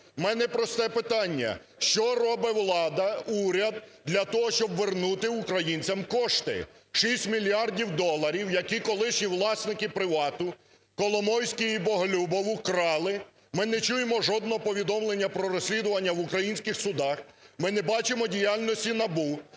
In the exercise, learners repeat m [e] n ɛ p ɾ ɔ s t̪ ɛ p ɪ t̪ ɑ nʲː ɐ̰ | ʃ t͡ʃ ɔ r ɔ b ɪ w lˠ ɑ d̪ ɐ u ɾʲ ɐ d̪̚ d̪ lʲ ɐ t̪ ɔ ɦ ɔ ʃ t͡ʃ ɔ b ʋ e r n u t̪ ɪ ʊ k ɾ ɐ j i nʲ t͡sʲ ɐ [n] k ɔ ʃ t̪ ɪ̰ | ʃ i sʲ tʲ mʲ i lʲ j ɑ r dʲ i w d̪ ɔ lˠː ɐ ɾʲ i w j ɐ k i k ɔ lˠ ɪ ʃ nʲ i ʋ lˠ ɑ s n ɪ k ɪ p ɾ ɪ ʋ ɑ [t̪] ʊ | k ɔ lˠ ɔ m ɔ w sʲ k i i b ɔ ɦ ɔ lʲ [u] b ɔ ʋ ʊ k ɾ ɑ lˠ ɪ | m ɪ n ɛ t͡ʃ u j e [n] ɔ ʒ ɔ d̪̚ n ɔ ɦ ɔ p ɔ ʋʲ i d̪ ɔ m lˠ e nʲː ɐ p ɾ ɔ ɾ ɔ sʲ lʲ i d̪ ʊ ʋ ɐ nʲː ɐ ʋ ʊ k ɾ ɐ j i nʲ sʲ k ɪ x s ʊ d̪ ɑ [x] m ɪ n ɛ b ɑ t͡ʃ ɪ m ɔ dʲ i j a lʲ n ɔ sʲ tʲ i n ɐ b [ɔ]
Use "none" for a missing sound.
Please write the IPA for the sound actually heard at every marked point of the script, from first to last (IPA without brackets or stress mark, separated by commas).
ɛ, m, t̪, u, m, x, u